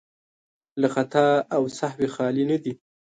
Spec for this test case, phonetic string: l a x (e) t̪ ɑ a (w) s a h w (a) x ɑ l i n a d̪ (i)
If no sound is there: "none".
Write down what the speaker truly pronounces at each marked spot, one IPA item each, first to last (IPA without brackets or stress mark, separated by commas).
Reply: a, w, e, i